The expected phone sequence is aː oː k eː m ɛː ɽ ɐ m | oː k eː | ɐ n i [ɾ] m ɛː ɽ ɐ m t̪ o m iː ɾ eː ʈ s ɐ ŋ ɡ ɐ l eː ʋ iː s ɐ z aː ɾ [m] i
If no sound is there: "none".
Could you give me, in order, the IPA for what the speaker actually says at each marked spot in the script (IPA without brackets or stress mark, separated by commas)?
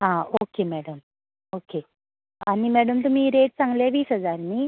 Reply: none, n